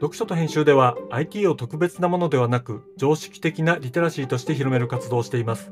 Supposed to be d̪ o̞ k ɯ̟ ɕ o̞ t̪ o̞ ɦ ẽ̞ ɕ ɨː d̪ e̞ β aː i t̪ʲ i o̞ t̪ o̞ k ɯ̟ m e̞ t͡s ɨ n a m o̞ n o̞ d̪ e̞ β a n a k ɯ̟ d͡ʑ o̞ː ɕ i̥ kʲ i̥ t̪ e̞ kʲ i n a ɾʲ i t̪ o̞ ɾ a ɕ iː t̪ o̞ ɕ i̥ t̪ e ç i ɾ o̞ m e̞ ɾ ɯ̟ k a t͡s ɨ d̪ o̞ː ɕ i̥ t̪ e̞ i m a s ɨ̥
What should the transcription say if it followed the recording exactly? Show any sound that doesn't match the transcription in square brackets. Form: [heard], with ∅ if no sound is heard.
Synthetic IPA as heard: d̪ o̞ k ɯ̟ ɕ o̞ t̪ o̞ ɦ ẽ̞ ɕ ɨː d̪ e̞ β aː i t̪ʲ [iː] o̞ t̪ o̞ k ɯ̟ [b] e̞ t͡s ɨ n a m o̞ n o̞ d̪ e̞ β a n a k ɯ̟ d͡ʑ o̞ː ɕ i̥ kʲ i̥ t̪ e̞ kʲ i n a ɾʲ i t̪ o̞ ɾ a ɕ iː t̪ o̞ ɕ i̥ t̪ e ç i ɾ o̞ m e̞ ɾ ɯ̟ k a t͡s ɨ d̪ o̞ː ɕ i̥ t̪ e̞ i m a s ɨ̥